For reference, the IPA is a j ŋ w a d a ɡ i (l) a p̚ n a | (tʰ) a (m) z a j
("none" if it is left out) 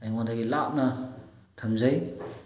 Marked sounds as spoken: l, tʰ, m

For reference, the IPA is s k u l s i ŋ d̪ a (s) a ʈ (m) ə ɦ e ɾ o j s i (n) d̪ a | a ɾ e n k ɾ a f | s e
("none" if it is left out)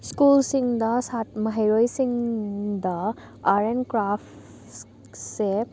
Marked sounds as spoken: s, m, ŋ

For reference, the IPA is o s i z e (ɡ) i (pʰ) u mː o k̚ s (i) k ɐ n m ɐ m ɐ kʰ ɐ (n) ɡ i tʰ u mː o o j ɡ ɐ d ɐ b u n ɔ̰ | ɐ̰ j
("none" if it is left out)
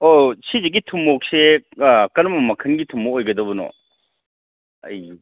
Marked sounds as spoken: ɡ, tʰ, e, n

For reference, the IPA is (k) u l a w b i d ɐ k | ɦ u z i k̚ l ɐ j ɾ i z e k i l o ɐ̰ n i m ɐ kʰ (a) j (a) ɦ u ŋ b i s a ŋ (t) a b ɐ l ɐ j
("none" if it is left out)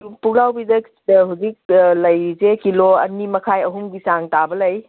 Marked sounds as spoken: p, a, ɐ, t

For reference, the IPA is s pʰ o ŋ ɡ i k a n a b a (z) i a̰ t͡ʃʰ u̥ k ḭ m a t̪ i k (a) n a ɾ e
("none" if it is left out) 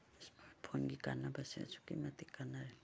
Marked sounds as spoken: s, a

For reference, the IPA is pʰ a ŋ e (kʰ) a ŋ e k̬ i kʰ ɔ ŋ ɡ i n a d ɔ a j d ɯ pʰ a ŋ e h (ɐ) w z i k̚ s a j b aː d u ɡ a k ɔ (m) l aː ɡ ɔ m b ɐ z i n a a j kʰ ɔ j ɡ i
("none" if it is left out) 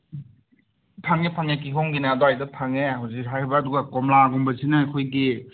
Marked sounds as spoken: pʰ, a, m

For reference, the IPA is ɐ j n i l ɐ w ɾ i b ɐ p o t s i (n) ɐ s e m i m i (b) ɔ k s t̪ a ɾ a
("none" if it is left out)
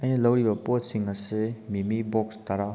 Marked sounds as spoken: ŋ, b

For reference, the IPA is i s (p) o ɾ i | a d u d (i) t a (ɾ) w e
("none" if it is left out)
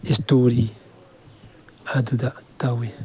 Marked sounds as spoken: t, a, none

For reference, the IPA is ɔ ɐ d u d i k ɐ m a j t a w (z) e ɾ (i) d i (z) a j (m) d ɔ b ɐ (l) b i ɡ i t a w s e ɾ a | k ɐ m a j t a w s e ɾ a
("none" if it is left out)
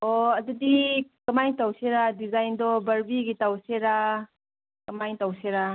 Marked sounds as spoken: s, a, z, n, ɾ

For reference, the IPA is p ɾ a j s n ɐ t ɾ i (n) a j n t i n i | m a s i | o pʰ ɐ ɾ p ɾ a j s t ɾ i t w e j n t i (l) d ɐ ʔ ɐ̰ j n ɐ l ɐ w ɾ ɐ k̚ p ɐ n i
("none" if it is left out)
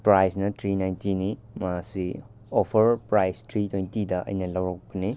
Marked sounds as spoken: n, none

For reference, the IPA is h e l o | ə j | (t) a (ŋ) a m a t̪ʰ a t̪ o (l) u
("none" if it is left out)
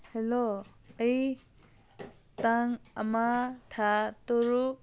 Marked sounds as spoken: t, ŋ, ɾ

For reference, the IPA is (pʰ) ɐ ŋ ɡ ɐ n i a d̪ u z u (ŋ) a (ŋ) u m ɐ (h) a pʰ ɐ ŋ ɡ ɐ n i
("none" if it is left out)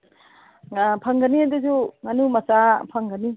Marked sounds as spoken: pʰ, ŋ, n, s

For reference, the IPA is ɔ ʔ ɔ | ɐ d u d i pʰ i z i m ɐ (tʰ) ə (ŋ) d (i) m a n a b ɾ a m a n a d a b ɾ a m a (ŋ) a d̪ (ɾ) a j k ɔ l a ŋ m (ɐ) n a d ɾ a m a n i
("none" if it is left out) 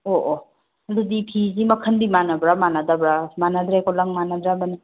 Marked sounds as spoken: kʰ, n, i, n, ɾ, a

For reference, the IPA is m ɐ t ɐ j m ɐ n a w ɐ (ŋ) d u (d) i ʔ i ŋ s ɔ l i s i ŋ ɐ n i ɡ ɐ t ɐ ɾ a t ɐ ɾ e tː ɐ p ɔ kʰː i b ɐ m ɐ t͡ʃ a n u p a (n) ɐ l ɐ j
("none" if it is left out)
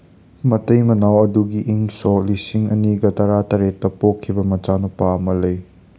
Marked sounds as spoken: none, ɡ, m

